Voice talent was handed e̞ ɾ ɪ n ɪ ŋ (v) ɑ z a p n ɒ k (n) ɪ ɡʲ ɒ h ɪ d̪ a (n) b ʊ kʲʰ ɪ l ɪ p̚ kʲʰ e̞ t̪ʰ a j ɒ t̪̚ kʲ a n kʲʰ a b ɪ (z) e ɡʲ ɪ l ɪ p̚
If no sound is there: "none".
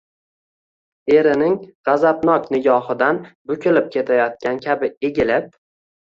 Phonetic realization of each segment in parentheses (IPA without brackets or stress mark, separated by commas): ʁ, n, n, none